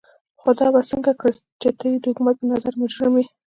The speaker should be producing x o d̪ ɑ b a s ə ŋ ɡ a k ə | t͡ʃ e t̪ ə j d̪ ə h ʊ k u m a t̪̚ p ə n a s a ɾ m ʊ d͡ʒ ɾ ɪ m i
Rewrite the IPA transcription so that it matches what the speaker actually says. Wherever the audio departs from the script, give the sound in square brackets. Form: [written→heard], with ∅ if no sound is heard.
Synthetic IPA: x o d̪ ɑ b a s ə ŋ ɡ a k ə | t͡ʃ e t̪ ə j d̪ ə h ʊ k u m a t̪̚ p ə n a [s→z] a ɾ m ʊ d͡ʒ ɾ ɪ m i